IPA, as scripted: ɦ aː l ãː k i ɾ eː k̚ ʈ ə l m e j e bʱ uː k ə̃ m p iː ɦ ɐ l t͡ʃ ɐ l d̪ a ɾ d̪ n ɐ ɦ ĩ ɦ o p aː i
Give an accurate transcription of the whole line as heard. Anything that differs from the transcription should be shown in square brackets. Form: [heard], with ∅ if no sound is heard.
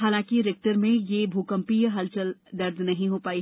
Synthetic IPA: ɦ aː l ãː k i ɾ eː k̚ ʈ ə [ɾ] m [ẽ] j e bʱ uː k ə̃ m p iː ɦ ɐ l t͡ʃ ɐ l d̪ [ɐ] ɾ d̪ n ɐ ɦ ĩ ɦ o p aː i

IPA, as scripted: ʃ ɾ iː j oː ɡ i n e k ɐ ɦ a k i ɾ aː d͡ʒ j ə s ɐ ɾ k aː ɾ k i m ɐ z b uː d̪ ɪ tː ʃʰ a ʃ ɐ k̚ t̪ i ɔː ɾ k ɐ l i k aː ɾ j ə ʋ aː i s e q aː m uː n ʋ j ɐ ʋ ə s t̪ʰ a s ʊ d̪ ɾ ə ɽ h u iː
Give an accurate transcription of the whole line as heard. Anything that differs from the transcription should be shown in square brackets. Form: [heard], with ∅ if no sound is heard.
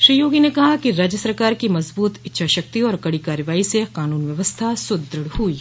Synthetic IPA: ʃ ɾ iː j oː ɡ i n e k ɐ ɦ a k i ɾ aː d͡ʒ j ə s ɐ ɾ k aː ɾ k i m ɐ z b uː [t̪] ɪ tː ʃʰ a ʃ ɐ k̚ t̪ i ɔː ɾ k ɐ [ɽ] i k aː ɾ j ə ʋ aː i s e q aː [n] uː n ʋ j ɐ ʋ ə s t̪ʰ a s ʊ d̪ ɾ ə ɽ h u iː

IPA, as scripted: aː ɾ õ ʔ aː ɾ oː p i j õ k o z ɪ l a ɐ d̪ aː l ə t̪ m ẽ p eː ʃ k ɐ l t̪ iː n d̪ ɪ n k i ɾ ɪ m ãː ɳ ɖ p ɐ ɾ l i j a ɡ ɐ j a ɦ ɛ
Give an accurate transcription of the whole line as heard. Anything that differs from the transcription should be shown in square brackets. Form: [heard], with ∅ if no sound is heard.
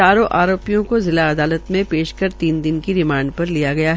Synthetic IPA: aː ɾ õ ʔ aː ɾ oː p i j õ k o z ɪ l a ɐ d̪ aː l ə t̪ m ẽ p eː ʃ k ɐ [ɾ] t̪ iː n d̪ ɪ n k i ɾ ɪ m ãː ɳ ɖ p ɐ ɾ l i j a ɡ ɐ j a ɦ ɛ

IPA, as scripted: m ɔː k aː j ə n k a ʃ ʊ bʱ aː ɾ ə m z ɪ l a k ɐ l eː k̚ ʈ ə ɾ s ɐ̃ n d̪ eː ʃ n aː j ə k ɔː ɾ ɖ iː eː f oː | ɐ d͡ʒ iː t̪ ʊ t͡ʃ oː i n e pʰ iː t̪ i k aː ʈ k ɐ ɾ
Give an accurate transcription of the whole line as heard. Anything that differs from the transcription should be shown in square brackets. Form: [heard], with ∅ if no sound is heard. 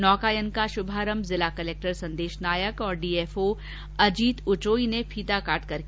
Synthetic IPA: [n] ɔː k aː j ə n k a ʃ ʊ bʱ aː ɾ ə m z ɪ l a k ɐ l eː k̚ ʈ ə ɾ s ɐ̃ n d̪ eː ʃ n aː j ə k ɔː ɾ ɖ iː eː f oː | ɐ d͡ʒ iː t̪ ʊ t͡ʃ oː i n e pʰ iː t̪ [a] k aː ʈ k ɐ ɾ

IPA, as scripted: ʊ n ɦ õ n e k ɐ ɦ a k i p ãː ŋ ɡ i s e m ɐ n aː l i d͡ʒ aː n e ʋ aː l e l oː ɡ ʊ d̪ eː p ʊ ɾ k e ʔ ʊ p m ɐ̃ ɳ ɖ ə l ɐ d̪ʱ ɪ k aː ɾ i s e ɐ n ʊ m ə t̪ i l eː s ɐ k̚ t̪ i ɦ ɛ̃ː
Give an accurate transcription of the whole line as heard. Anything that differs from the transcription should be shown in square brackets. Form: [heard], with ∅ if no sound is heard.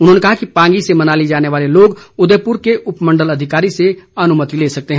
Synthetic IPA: ʊ n ɦ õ n e k ɐ ɦ a k i p ãː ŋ ɡ i s e m ɐ n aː l i d͡ʒ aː n e ʋ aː l e l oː ɡ ʊ d̪ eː p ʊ ɾ k e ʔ ʊ p m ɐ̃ ɳ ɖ ə l ɐ d̪ʱ ɪ k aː ɾ i s e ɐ n ʊ m ə t̪ i l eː s ɐ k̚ t̪ [e] ɦ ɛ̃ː

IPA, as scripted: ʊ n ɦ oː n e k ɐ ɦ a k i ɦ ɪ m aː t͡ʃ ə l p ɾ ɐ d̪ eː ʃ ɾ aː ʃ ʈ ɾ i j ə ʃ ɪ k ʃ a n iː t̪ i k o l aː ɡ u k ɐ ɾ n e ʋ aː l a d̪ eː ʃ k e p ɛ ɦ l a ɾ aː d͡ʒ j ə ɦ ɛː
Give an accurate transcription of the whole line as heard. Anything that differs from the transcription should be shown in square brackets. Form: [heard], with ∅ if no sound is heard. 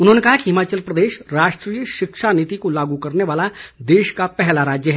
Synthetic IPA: ʊ n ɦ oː n e k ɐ ɦ a k i ɦ ɪ m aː t͡ʃ ə l p ɾ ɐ d̪ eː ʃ ɾ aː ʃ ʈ ɾ i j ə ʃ ɪ k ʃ a n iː t̪ i k o l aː ɡ u k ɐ ɾ n e ʋ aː l a d̪ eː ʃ k [a] p ɛ ɦ l a ɾ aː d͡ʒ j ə ɦ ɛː

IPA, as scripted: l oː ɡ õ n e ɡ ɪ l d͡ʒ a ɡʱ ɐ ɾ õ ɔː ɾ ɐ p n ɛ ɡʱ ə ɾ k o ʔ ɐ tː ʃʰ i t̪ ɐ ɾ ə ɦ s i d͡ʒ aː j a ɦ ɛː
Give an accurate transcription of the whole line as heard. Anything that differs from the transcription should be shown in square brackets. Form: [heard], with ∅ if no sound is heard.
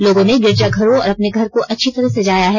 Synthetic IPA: l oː ɡ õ n e ɡ ɪ [ɾ] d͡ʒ a ɡʱ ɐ ɾ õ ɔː ɾ ɐ p n [e] ɡʱ [ɐ] ɾ k o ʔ ɐ tː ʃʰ i t̪ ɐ ɾ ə ɦ s [e] d͡ʒ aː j a ɦ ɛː

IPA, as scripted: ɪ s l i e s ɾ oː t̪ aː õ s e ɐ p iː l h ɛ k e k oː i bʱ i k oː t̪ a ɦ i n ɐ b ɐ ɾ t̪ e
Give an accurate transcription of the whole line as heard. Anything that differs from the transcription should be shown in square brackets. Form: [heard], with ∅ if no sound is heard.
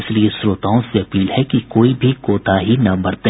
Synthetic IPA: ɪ s l i e s ɾ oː t̪ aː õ s e ɐ p iː l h ɛ k [i] k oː i bʱ i k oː t̪ a ɦ i n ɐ b ɐ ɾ t̪ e

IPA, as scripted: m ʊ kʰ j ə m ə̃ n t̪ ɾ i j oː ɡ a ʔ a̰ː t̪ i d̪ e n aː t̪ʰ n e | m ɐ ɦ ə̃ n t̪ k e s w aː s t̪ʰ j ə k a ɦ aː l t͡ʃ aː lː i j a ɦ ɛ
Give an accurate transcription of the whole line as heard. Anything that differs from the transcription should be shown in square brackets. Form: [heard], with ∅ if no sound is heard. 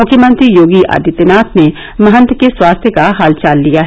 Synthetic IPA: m ʊ kʰ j ə m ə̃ n t̪ ɾ i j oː ɡ [i] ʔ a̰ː [d̪] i [t̪] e n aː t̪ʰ n e | m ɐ ɦ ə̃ n t̪ k e s w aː s t̪ʰ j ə k a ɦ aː l t͡ʃ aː lː i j a ɦ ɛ

